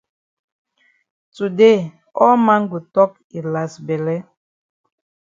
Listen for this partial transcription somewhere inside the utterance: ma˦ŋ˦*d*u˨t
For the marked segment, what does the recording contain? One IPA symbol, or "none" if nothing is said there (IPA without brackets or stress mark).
ɡ